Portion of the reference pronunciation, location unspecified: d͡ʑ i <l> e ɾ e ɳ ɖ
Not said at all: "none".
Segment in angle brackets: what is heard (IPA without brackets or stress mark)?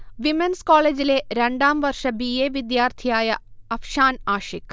l